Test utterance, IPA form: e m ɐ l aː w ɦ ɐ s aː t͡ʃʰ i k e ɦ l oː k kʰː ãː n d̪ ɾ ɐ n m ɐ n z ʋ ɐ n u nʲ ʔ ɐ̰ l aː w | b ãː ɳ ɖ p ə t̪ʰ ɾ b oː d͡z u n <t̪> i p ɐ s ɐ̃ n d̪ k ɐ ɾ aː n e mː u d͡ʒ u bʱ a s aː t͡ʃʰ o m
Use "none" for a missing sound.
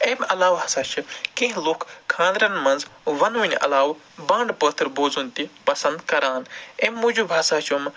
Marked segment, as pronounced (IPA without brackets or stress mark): t̪